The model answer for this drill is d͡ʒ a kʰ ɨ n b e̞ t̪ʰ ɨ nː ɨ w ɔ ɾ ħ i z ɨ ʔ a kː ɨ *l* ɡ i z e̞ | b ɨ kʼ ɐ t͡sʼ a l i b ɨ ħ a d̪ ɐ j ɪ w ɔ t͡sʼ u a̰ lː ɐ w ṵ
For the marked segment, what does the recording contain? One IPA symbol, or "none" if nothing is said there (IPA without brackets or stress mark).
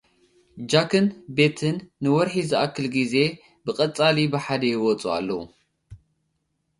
l